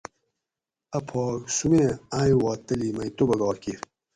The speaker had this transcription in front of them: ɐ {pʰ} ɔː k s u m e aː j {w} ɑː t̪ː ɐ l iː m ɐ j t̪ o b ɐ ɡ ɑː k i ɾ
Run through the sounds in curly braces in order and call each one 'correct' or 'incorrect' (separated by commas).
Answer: correct, correct